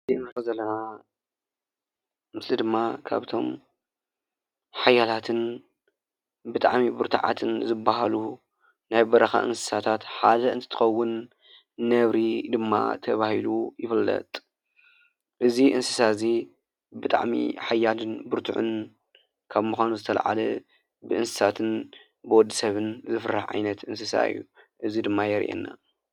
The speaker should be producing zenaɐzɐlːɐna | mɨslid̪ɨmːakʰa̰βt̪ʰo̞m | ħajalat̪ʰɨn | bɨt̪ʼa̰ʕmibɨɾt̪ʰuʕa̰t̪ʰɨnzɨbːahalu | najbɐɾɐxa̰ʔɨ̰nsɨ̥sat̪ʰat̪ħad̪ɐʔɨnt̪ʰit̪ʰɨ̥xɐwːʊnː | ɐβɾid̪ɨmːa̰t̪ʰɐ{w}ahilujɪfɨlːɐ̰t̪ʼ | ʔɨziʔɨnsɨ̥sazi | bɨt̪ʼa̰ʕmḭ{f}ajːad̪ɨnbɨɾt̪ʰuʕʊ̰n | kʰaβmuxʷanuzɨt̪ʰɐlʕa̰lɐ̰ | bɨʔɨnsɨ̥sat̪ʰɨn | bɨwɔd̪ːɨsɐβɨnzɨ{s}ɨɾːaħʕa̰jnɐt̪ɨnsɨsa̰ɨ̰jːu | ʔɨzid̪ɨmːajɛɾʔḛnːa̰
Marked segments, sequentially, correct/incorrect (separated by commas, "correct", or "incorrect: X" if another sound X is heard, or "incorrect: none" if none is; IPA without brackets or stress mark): incorrect: β, incorrect: ħ, incorrect: f